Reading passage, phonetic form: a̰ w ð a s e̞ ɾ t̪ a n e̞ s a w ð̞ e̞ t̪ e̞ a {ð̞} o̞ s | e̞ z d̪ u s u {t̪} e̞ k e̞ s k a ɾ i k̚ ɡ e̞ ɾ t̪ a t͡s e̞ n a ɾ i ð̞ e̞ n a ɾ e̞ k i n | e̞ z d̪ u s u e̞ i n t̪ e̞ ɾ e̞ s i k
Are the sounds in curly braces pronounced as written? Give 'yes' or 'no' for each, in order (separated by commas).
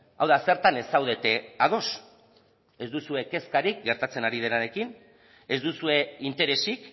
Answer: yes, no